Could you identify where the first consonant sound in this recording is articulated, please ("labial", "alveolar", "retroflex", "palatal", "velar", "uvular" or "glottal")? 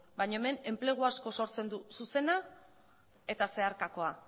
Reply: labial